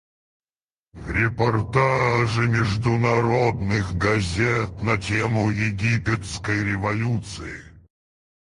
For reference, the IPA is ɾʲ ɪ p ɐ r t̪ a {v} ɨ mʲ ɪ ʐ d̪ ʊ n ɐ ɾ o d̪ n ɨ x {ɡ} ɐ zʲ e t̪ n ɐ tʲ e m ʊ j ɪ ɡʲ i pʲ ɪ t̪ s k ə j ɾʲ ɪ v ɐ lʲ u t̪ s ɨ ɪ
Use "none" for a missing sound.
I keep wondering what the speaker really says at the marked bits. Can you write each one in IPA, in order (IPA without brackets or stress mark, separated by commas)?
ʐ, ɡ